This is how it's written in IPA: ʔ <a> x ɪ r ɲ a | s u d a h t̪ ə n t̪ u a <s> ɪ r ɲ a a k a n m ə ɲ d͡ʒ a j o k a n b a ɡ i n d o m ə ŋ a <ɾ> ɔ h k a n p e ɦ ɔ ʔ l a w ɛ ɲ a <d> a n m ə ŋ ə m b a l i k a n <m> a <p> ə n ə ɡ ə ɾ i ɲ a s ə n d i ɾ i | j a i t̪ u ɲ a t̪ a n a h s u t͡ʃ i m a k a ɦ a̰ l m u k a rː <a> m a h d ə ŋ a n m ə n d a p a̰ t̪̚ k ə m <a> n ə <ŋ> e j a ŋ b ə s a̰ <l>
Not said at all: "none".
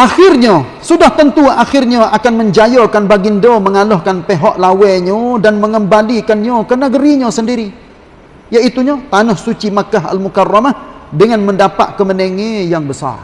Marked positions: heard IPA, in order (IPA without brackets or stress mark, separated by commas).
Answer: a, x, l, d, ɲ, k, a, ə, ŋ, r